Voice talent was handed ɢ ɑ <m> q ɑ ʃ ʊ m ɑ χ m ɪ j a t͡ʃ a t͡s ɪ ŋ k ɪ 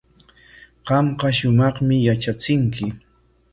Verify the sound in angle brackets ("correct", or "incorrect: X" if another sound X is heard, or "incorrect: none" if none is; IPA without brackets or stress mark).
correct